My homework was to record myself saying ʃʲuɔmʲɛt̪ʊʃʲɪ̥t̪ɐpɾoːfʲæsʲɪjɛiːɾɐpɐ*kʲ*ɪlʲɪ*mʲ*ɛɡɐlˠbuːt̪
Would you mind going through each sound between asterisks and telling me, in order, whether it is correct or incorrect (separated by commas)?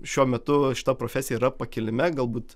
correct, correct